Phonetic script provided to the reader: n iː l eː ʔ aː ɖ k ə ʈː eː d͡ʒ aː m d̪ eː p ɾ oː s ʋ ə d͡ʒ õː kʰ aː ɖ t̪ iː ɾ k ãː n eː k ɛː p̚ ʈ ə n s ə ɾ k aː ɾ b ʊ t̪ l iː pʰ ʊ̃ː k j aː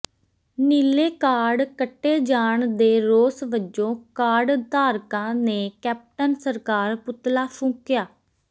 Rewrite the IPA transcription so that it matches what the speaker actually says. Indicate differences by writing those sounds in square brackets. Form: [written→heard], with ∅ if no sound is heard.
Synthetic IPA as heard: n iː l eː [ʔ→k] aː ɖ k ə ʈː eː d͡ʒ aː [m→ɳ] d̪ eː [p→∅] ɾ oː s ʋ ə d͡ʒ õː [kʰ→k] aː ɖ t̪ [iː→aː] ɾ k ãː n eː k ɛː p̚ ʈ ə n s ə ɾ k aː ɾ [b→p] ʊ t̪ l [iː→aː] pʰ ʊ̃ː k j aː